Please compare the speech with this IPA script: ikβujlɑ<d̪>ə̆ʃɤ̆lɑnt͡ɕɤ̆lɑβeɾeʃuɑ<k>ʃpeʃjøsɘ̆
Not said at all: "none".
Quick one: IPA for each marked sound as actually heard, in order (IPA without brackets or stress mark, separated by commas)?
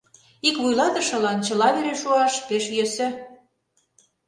t̪, none